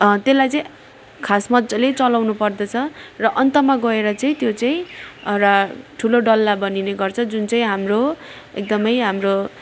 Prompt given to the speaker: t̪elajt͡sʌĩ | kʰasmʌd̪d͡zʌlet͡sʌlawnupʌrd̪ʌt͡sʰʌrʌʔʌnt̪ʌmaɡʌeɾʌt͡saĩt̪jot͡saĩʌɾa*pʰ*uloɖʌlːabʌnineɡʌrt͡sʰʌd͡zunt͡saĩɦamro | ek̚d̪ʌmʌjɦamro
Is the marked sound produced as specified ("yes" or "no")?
no